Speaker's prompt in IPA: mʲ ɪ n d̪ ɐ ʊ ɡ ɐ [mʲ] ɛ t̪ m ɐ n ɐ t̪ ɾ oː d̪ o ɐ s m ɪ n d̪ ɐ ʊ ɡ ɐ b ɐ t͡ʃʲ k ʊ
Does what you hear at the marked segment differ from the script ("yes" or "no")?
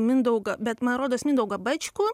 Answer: yes